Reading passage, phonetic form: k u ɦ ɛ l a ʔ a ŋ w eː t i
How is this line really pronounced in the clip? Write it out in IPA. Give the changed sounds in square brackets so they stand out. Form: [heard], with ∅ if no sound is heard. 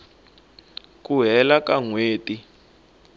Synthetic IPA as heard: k u ɦ ɛ l a [k] a ŋ w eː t i